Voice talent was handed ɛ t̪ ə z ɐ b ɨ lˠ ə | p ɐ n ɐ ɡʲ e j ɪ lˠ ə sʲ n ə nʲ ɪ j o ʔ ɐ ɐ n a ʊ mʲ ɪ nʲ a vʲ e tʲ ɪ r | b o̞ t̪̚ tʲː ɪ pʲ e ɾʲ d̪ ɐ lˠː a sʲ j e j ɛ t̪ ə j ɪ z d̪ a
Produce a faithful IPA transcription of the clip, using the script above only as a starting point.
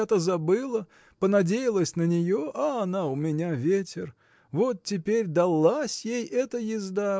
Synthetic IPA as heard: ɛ t̪ ə z ɐ b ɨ lˠ ə | p ə n ɐ dʲ e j ɪ lˠ ə sʲ n ə nʲ ɪ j o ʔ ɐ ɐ n a ʊ mʲ ɪ nʲ a vʲ e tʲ ɪ r | v o̞ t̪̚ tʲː ɪ pʲ e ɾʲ d̪ ɐ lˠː a sʲ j e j ɛ t̪ ə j ɪ z d̪ a